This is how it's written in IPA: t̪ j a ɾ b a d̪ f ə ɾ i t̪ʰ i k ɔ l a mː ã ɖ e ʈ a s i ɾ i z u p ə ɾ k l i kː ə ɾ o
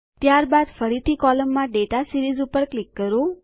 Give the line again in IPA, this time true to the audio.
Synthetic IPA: t̪ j a ɾ b a d̪ f ə ɾ i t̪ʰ i k ɔ l ə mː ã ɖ e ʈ a s i ɾ i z u p ə ɾ k l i kː ə ɾ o